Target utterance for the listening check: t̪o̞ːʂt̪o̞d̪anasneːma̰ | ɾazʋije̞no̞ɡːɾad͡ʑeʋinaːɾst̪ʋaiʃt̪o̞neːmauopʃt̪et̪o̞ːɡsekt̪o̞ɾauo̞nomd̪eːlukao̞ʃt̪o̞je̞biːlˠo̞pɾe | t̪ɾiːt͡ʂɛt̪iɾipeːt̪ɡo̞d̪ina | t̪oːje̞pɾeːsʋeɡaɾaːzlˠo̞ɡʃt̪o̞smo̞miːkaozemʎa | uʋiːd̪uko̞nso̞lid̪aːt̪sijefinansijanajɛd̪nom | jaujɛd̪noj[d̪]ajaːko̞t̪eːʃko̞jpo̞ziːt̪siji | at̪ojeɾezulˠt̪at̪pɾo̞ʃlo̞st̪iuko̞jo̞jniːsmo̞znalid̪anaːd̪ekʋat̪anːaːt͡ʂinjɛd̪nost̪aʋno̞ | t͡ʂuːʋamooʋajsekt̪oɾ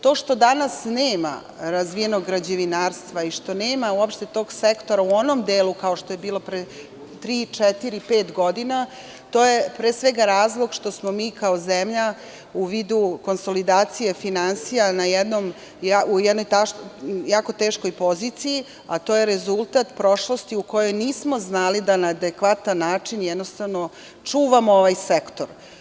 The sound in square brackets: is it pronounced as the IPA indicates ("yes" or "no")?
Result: no